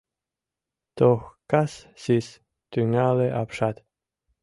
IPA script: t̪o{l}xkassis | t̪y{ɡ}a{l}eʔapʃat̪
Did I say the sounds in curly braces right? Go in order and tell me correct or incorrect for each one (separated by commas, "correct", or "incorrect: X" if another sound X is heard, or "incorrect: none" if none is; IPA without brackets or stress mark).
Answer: incorrect: none, incorrect: ŋ, correct